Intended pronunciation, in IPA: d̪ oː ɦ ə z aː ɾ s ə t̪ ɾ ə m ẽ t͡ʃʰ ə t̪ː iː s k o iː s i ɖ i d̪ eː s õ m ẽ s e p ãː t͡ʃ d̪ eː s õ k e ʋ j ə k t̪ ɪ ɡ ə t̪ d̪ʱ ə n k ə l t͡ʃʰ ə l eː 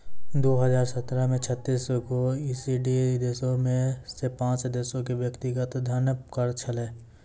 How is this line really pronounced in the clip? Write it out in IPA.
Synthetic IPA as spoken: d̪ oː ɦ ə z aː ɾ s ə t̪ ɾ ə m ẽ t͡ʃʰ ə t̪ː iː s k o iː s i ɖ i d̪ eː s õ m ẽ s e p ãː t͡ʃ d̪ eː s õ k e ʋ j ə k t̪ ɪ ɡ ə t̪ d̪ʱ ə n k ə ɾ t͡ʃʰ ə l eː